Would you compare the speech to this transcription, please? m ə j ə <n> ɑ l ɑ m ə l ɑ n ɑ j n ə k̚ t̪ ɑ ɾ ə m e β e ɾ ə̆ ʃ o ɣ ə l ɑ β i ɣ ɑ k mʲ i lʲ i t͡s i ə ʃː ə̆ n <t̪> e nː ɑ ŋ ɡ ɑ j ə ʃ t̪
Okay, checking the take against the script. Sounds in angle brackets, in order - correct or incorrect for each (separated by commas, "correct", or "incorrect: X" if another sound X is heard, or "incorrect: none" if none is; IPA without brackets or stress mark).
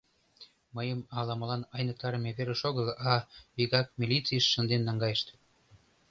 incorrect: m, incorrect: d̪